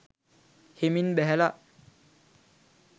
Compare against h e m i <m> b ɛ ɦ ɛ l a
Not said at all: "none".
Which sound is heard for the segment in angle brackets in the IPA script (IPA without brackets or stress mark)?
n